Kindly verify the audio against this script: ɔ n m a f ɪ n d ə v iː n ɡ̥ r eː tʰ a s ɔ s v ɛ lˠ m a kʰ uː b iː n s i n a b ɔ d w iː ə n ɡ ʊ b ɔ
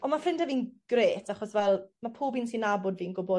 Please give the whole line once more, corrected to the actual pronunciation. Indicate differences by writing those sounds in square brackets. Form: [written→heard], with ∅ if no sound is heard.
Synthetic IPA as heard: ɔ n m a f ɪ n d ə v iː n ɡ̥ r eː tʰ a [s→χ] ɔ s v ɛ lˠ m a [kʰ→pʰ] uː b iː n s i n a b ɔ d [w→v] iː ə n ɡ ʊ b ɔ